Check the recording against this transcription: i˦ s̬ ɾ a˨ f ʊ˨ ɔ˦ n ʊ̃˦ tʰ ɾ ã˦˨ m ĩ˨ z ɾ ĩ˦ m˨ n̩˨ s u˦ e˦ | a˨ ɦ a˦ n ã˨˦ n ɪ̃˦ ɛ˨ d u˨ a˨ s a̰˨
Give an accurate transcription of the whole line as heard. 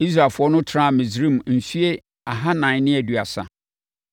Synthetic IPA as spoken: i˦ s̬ ɾ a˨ f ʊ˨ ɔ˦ n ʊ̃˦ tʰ ɾ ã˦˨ m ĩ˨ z ɾ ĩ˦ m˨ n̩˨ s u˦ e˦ | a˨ ɦ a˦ n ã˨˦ n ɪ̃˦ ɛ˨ d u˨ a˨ s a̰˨